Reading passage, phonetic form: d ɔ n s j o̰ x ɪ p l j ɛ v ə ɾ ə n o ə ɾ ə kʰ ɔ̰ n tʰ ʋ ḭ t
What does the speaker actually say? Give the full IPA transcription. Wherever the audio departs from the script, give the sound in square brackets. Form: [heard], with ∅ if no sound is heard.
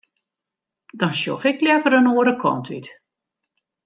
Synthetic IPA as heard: d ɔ n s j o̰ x ɪ [k] l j ɛ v ə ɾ ə n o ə ɾ ə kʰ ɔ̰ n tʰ ʋ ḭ t